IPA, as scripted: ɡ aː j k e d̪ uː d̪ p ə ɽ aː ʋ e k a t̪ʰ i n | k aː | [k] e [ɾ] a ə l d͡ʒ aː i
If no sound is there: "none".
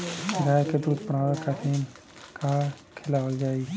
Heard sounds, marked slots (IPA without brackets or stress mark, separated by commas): kʰ, l